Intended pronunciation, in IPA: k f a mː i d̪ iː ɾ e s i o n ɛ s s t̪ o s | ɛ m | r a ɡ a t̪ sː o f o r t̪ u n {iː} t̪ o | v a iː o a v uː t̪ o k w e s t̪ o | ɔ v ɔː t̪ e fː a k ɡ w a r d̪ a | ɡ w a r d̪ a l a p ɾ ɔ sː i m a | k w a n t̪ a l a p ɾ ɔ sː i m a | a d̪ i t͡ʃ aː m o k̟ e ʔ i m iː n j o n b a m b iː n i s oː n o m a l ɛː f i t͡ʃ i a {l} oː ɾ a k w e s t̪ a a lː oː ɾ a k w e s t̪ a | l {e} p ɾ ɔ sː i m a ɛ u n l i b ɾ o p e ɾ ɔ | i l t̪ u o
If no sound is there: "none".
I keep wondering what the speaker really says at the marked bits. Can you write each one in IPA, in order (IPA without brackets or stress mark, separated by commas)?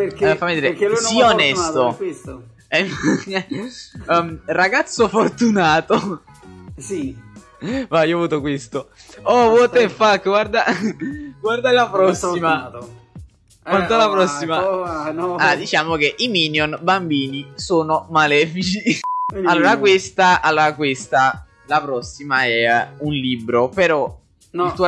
aː, lː, a